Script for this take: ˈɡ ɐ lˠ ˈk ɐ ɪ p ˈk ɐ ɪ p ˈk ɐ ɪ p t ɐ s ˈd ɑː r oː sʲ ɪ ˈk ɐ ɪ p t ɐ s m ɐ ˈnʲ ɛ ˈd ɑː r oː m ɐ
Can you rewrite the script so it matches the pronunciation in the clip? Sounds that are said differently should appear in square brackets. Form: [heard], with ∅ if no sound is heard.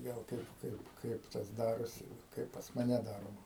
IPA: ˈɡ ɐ lˠ ˈk ɐ ɪ p ˈk ɐ ɪ p ˈk ɐ ɪ p t ɐ s ˈd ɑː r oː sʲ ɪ ˈk ɐ ɪ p [p] ɐ s m ɐ ˈnʲ ɛ ˈd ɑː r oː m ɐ